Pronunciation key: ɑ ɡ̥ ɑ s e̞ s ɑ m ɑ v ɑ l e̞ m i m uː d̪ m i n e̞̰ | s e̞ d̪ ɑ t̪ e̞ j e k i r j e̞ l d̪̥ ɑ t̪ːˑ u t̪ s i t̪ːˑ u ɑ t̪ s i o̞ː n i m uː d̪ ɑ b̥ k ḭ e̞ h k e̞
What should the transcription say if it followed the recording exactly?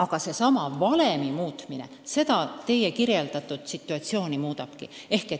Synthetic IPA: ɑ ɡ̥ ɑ s e̞ s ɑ m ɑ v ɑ l e̞ m i m uː t̪ m i n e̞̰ | s e̞ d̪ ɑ t̪ e̞ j e k i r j e̞ l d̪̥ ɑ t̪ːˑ u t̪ s i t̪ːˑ u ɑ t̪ s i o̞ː n i m uː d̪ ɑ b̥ k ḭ e̞ h k e̞